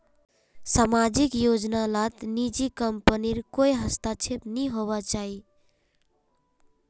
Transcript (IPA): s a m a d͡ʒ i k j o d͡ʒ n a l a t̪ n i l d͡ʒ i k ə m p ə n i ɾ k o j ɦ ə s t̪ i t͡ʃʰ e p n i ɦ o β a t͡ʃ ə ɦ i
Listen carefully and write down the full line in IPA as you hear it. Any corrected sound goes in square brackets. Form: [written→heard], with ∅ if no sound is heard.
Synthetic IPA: s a m a d͡ʒ i k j o d͡ʒ n a l a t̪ n i [l→∅] d͡ʒ i k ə m p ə n i ɾ k o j ɦ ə s t̪ [i→a] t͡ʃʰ e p n i ɦ o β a t͡ʃ [ə→a] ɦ i